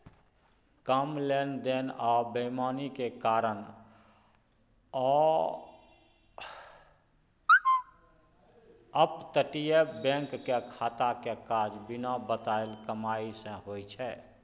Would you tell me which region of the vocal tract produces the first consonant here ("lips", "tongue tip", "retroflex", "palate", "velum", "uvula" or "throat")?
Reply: velum